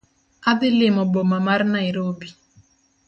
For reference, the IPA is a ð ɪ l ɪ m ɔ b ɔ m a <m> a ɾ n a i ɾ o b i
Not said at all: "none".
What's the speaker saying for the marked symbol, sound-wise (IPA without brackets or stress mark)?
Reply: m